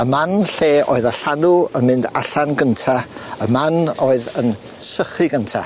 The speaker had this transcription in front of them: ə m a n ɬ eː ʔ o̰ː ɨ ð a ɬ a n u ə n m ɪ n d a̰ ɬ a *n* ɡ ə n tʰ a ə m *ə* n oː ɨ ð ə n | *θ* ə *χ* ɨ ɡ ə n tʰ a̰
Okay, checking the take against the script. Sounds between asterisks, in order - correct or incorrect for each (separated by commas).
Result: correct, incorrect, incorrect, correct